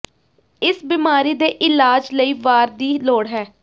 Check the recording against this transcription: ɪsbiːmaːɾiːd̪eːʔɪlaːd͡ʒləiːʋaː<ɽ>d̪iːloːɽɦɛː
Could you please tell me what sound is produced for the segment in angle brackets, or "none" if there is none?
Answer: ɾ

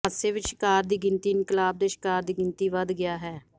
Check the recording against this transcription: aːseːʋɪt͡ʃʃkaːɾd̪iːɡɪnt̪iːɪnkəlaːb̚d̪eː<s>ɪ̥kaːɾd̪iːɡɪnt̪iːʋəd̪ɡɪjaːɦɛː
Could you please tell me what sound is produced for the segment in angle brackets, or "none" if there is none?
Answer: ʃ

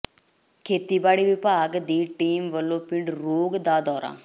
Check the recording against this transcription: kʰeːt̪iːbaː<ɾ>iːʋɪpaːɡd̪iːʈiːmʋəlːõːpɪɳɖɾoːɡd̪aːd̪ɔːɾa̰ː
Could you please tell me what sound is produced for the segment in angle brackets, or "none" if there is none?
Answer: ɽ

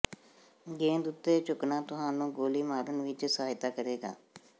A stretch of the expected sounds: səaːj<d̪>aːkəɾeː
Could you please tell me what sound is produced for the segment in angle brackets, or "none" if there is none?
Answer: t̪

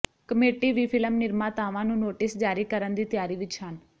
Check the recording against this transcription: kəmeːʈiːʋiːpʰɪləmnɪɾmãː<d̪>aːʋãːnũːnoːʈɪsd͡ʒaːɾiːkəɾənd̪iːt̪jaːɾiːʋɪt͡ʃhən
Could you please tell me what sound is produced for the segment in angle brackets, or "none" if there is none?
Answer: t̪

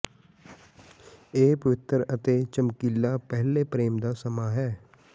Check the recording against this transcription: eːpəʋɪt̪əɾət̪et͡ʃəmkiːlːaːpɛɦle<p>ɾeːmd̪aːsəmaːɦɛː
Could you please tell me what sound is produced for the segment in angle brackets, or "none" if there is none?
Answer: p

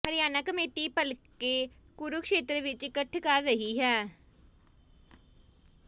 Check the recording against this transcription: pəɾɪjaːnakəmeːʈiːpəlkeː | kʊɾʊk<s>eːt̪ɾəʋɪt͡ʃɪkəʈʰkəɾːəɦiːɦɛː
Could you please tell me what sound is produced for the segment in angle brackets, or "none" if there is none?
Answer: ʃ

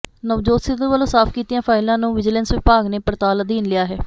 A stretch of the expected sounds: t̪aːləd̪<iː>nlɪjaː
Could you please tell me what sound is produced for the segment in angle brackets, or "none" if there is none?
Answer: iː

